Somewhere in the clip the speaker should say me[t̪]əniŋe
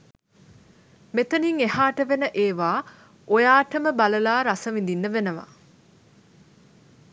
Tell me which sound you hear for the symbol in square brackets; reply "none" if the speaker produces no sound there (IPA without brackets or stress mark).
t̪